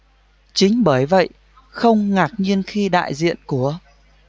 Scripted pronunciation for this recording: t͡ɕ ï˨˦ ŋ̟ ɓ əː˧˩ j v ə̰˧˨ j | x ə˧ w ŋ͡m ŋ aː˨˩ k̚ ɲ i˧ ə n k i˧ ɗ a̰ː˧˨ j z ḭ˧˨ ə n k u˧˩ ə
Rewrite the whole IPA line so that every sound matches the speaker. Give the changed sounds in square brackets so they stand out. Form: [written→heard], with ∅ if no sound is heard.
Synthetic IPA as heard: t͡ɕ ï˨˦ ŋ̟ ɓ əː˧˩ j v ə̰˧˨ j | x ə˧ w ŋ͡m ŋ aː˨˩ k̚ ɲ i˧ ə n [k→x] i˧ ɗ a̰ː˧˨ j z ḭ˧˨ ə n k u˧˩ ə